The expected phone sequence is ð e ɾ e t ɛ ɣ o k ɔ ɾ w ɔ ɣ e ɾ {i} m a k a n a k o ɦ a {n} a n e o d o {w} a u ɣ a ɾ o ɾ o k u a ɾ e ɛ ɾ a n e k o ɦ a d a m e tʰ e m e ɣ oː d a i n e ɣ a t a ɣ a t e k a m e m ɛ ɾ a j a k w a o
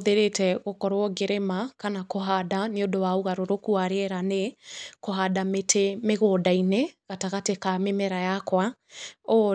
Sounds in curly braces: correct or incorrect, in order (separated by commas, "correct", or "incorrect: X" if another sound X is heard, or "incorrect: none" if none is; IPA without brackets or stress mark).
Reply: incorrect: e, incorrect: d, correct